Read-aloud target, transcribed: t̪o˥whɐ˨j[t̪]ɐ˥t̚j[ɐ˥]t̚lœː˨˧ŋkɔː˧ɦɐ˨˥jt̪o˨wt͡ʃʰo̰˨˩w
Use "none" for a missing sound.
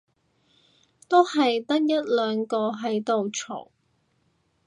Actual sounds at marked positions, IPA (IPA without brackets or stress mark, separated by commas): t̪, ɐ˥